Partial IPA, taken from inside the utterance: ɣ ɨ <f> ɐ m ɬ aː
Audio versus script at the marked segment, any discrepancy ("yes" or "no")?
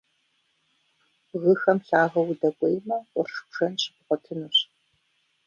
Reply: yes